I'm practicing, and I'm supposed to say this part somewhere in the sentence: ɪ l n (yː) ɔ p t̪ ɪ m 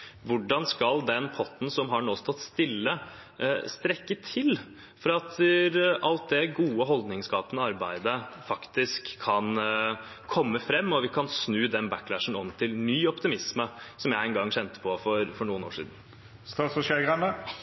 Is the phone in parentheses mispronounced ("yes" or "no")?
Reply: no